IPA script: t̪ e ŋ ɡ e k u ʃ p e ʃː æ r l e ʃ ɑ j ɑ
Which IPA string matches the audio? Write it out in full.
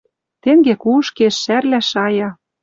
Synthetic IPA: t̪ e ŋ ɡ e k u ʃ k e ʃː æ r l æ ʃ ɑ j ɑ